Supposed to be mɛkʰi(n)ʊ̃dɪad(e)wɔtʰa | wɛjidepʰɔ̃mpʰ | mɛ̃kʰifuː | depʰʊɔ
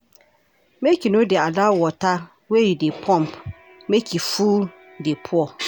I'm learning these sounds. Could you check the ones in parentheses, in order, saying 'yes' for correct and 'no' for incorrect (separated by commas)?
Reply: yes, no